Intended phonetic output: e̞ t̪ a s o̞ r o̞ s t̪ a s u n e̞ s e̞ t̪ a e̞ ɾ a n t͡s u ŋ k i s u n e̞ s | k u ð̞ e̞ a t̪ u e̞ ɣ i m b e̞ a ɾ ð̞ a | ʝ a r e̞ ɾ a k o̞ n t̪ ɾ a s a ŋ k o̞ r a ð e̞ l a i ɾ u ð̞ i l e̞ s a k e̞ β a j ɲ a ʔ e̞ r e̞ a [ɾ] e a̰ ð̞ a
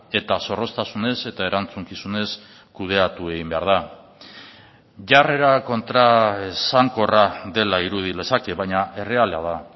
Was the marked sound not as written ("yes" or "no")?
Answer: yes